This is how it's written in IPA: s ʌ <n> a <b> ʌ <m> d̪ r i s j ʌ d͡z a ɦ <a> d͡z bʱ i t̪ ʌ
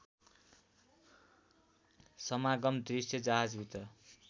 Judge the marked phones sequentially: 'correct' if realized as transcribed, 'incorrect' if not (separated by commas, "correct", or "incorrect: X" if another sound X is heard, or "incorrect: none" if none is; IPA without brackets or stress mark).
incorrect: m, incorrect: ɡ, correct, correct